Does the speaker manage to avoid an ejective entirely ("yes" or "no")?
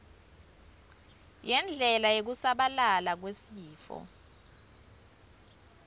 yes